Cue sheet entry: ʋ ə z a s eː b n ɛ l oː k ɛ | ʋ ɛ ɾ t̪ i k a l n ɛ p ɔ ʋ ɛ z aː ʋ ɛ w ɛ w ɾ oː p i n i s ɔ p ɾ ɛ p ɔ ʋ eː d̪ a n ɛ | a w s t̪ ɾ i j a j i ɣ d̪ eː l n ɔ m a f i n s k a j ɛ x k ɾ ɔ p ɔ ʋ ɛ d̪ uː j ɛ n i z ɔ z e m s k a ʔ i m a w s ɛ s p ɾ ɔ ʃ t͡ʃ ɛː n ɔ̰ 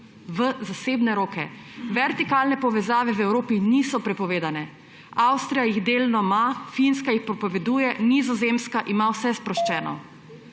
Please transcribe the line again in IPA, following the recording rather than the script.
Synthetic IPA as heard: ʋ ə z a s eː b n ɛ ɾ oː k ɛ | ʋ ɛ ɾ t̪ i k a l n ɛ p ɔ ʋ ɛ z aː ʋ ɛ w ɛ w ɾ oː p i n i s ɔ p ɾ ɛ p ɔ ʋ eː d̪ a n ɛ | a w s t̪ ɾ i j a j i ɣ d̪ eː l n ɔ m a f i n s k a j i x p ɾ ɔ p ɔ ʋ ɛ d̪ uː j ɛ n i z ɔ z e m s k a ʔ i m a w s ɛ s p ɾ ɔ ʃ t͡ʃ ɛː n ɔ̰